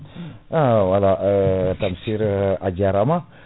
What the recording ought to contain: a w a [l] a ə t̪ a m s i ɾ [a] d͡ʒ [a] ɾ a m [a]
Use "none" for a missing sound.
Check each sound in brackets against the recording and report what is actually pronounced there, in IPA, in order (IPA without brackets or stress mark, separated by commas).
l, a, a, a